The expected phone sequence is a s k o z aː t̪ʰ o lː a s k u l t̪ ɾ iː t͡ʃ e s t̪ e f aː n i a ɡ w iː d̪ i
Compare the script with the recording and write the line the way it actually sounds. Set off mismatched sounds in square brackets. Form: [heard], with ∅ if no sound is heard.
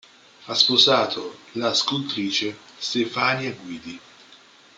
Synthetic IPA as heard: a s [p] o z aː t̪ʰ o [l] a s k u l t̪ ɾ iː t͡ʃ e s t̪ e f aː n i a ɡ w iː d̪ i